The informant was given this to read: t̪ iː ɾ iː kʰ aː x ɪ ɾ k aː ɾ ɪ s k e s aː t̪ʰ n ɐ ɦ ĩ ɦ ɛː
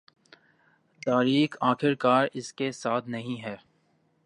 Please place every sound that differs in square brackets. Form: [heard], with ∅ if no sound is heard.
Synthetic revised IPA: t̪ [aː] ɾ iː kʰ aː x ɪ ɾ k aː ɾ ɪ s k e s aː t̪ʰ n ɐ ɦ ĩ ɦ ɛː